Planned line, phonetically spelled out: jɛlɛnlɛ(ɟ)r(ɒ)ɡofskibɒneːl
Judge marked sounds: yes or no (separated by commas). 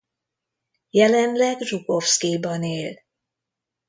no, no